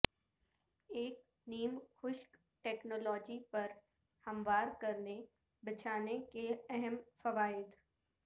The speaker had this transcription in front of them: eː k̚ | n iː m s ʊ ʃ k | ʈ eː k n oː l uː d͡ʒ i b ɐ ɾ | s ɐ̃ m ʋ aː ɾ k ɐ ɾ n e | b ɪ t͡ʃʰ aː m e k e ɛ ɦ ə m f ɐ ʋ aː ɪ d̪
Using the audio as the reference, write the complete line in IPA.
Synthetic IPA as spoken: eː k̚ | n iː m x ʊ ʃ k | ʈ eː k n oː l ɔː d͡ʒ i p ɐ ɾ | h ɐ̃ m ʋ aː ɾ k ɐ ɾ n e | b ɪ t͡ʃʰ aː n e k e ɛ ɦ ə m f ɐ ʋ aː ɪ d̪